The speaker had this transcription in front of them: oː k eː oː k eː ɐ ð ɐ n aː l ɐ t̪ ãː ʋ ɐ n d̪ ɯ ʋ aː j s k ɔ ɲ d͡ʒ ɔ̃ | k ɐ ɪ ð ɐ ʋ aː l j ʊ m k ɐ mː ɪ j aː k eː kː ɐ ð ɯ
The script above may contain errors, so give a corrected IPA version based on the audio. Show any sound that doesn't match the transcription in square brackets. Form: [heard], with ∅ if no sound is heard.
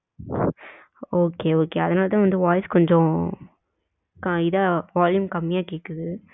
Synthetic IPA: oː k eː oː k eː ɐ ð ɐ n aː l ɐ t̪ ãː ʋ ɐ n d̪ ɯ ʋ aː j s k ɔ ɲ d͡ʒ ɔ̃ | k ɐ ɪ ð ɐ ʋ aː l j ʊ m k ɐ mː ɪ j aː k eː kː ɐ ð ɯ

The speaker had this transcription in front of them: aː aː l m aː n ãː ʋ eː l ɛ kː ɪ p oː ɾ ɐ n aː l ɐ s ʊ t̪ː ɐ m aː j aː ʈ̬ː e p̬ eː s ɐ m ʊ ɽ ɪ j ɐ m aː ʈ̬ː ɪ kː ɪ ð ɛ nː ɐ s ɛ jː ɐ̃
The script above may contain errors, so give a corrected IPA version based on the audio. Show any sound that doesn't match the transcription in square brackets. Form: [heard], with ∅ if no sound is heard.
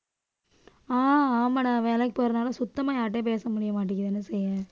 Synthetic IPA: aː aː [∅] m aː n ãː ʋ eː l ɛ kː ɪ p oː ɾ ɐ n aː l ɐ s ʊ t̪ː ɐ m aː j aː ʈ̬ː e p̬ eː s ɐ m ʊ ɽ ɪ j ɐ m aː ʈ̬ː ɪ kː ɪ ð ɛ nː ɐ s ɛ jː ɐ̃

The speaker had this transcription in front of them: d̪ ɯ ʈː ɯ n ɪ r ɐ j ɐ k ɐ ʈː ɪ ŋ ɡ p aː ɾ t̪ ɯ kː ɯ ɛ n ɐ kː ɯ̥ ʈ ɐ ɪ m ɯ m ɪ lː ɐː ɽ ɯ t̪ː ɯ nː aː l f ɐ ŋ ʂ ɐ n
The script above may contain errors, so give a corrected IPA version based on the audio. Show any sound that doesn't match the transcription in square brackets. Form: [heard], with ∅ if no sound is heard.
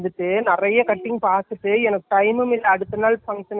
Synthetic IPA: d̪ ɯ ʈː ɯ n ɪ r ɐ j ɐ k ɐ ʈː ɪ ŋ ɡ p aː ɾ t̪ ɯ [ʈː] ɯ ɛ n ɐ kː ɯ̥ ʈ ɐ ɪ m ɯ m ɪ lː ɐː ɽ ɯ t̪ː ɯ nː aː l f ɐ ŋ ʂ ɐ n

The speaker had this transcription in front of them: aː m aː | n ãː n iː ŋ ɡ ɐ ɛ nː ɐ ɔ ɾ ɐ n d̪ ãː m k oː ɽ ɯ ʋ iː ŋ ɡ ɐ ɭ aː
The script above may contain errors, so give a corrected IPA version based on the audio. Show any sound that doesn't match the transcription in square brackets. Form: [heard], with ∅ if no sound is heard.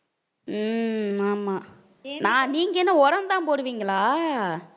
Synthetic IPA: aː m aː | n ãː n iː ŋ ɡ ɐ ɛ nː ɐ ɔ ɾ ɐ n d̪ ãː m [p] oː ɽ ɯ ʋ iː ŋ ɡ ɐ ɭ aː

